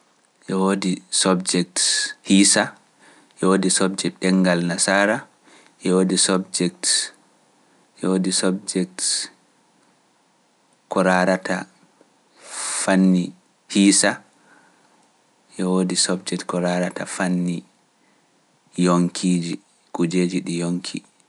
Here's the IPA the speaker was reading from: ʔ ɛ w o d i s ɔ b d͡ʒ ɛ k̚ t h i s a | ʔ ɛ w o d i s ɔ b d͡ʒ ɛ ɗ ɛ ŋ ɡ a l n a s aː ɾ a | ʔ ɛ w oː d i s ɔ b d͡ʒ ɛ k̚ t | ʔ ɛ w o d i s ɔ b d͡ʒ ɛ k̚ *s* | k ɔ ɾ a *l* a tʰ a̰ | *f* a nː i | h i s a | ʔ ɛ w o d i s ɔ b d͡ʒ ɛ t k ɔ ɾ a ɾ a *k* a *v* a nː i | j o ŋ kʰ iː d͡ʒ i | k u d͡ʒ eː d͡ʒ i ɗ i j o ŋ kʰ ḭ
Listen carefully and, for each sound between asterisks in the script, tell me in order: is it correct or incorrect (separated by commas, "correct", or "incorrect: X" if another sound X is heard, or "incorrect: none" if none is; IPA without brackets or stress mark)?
incorrect: t, incorrect: ɾ, correct, incorrect: t, incorrect: f